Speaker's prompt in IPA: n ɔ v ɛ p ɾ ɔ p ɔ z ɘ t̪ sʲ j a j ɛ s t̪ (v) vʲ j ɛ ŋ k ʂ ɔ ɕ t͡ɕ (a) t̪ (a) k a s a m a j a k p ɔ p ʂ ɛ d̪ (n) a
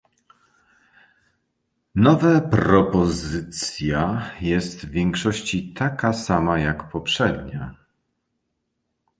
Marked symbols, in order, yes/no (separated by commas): yes, no, yes, no